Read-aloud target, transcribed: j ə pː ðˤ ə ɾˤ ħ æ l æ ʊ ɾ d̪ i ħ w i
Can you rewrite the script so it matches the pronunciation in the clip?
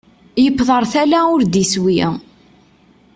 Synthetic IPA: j ə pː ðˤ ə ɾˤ θ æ l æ ʊ ɾ d̪ i s w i